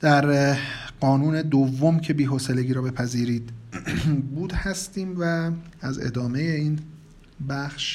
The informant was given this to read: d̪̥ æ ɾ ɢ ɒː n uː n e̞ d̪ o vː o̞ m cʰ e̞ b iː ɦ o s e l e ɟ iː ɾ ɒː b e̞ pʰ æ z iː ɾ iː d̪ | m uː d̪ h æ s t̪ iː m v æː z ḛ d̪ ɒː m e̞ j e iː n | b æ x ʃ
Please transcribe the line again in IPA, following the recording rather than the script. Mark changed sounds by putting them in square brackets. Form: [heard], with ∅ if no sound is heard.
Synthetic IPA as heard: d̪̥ æ ɾ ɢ ɒː n uː n e̞ d̪ o vː o̞ m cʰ e̞ b iː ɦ o s e l e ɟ iː ɾ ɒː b e̞ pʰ æ z iː ɾ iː d̪ | [b] uː d̪ h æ s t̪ iː m v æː z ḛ d̪ ɒː m e̞ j e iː n | b æ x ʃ